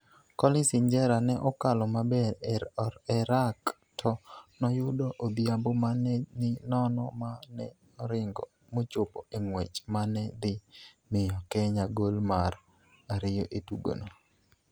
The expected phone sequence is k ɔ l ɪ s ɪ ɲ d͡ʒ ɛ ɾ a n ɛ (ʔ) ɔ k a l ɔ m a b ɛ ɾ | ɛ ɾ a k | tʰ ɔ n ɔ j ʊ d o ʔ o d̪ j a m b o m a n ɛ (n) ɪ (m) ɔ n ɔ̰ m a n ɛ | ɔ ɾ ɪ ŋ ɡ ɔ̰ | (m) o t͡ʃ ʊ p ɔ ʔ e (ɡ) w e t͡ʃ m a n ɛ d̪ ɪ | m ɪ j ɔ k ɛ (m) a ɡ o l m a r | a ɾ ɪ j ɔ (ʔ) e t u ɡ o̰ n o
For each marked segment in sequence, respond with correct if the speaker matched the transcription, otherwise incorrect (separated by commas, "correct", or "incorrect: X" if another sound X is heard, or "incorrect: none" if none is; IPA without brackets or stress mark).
correct, correct, incorrect: n, correct, incorrect: ŋ, incorrect: ɲ, correct